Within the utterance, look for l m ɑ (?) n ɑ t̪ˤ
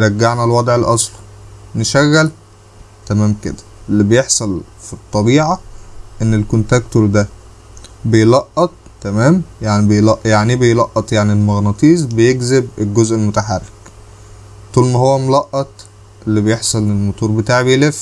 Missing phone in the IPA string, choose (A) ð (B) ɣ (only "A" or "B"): B